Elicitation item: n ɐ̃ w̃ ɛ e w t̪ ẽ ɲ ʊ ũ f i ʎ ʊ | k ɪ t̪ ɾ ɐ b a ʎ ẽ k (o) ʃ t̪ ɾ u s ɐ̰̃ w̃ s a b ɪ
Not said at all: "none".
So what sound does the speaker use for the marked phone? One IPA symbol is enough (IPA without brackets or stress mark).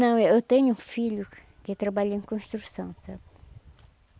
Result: õ